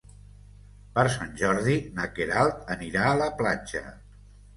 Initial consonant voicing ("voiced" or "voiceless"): voiceless